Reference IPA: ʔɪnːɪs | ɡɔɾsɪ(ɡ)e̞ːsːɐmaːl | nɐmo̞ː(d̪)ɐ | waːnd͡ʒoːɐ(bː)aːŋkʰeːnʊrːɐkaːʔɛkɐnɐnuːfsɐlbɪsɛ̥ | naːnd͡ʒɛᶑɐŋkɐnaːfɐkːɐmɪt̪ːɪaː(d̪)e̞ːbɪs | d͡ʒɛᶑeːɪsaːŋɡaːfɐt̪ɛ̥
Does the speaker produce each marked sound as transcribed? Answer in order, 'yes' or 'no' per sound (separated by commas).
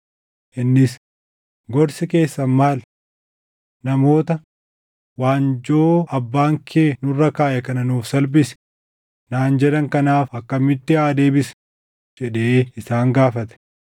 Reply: no, no, yes, yes